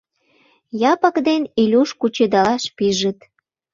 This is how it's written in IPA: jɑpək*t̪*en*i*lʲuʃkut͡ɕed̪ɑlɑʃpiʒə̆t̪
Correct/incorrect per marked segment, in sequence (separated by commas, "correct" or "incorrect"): incorrect, correct